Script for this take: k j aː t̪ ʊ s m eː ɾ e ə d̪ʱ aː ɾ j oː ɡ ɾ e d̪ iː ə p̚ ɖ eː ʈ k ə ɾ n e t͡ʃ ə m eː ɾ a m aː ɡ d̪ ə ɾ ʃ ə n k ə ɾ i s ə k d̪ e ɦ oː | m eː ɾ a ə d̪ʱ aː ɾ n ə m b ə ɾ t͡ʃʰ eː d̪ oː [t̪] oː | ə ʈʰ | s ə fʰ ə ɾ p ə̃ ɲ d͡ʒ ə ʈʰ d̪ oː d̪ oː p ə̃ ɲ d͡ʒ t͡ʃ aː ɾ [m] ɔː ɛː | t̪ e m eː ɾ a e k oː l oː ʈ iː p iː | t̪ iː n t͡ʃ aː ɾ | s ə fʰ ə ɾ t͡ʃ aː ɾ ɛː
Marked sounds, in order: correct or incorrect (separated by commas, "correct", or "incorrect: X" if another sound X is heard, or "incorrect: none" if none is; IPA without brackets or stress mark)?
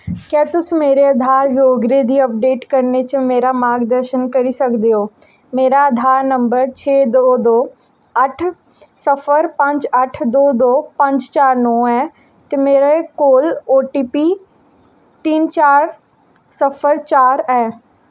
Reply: incorrect: d̪, incorrect: n